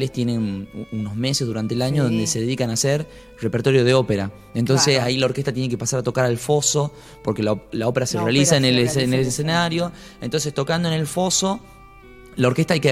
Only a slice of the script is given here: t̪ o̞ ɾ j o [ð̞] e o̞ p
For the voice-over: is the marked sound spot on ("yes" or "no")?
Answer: yes